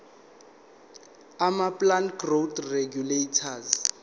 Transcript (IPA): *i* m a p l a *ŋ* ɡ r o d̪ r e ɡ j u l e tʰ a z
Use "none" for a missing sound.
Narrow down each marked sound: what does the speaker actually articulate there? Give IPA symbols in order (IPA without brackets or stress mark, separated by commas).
a, n